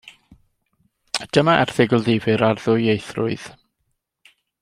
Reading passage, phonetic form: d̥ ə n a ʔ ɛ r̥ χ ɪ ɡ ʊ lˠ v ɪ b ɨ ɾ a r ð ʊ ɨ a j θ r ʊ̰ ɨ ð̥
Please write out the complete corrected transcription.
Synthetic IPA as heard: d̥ ə m a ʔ ɛ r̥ θ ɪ ɡ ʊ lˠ ð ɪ v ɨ ɾ a r ð ʊ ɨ e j θ r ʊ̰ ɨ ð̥